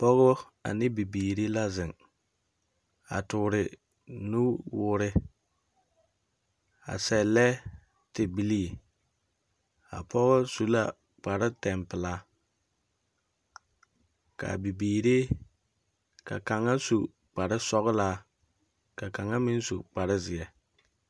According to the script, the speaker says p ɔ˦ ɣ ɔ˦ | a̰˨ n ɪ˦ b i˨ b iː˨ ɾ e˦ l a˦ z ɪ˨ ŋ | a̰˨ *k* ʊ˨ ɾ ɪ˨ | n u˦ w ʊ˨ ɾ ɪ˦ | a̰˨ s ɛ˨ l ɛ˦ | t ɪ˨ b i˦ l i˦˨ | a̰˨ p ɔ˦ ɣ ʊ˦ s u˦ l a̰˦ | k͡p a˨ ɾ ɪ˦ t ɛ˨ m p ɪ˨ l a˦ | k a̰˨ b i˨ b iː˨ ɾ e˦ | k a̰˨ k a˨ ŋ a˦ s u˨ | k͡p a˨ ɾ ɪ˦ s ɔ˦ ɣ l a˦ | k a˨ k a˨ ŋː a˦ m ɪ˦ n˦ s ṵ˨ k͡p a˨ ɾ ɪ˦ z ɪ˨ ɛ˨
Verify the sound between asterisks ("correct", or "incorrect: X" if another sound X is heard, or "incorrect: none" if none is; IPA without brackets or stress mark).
incorrect: t